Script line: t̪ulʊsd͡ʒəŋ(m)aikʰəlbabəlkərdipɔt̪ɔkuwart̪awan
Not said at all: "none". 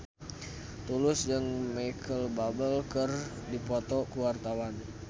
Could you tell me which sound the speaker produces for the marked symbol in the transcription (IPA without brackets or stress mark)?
m